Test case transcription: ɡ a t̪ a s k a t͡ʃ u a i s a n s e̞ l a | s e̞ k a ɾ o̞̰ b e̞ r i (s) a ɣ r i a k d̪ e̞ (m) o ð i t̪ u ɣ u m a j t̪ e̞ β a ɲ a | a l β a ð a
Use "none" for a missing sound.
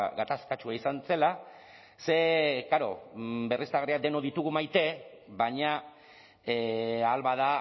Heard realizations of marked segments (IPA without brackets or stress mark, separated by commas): s, n